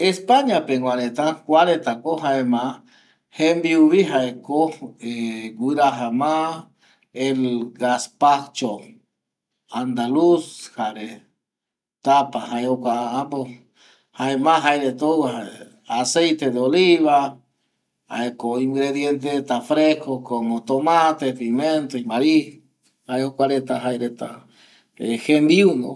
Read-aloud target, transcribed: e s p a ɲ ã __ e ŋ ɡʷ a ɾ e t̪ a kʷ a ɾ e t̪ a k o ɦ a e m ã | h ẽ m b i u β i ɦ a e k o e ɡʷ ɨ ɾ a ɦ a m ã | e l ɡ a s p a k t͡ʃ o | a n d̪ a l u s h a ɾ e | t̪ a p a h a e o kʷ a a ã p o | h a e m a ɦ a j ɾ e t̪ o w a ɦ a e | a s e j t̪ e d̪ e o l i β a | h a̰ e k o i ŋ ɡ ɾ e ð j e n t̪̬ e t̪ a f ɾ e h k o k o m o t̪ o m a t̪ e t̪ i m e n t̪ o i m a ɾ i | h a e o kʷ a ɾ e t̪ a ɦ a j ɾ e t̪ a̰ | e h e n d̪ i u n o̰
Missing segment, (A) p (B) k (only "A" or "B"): A